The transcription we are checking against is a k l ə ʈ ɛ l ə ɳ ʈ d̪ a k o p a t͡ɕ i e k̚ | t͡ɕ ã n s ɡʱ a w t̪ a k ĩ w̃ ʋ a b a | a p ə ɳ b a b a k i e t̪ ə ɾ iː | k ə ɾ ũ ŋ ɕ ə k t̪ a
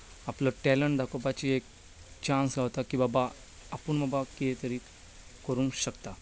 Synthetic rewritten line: a p l ə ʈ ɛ l ə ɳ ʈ d̪ a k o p a t͡ɕ i e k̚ | t͡ɕ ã n s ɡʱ a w t̪ a k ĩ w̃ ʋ a b a | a p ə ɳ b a b a k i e t̪ ə ɾ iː | k ə ɾ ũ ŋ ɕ ə k t̪ a